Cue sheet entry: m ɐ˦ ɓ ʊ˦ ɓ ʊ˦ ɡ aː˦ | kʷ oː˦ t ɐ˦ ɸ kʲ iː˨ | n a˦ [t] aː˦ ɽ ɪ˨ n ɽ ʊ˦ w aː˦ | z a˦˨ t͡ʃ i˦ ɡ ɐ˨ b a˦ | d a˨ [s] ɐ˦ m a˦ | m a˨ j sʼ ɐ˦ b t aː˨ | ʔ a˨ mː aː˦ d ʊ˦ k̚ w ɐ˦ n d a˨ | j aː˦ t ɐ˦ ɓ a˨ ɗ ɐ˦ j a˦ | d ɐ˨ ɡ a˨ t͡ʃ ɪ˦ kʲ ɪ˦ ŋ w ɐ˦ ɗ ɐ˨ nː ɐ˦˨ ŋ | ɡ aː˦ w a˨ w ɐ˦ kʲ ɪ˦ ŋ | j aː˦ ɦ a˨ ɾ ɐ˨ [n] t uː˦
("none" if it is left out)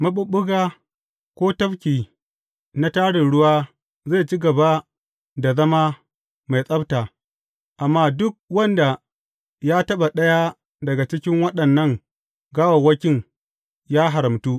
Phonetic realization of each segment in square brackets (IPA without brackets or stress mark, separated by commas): t, z, m